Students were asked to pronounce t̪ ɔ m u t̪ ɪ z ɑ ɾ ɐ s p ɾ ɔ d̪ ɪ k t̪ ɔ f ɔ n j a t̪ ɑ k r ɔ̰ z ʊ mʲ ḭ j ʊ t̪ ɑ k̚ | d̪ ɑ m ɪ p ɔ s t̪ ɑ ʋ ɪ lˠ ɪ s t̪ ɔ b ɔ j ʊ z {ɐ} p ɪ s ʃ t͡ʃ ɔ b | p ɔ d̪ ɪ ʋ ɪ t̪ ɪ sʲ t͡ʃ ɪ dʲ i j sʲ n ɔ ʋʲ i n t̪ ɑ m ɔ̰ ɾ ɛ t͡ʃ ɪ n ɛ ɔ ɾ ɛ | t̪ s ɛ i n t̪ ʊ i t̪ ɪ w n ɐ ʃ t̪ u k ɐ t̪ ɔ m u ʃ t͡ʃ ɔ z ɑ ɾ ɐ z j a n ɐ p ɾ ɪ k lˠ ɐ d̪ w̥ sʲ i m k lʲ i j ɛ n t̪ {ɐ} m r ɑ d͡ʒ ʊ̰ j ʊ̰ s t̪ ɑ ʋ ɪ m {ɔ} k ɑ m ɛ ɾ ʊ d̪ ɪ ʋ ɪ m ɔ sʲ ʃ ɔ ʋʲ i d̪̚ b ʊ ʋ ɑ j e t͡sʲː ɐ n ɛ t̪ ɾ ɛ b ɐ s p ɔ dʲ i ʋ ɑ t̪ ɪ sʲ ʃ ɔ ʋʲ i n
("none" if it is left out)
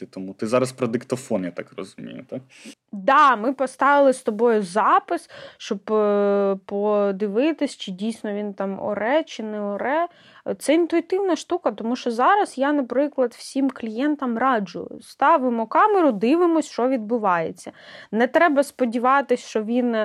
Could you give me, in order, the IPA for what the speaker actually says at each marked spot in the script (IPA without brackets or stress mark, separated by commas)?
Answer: ɑ, ɐ, ɔ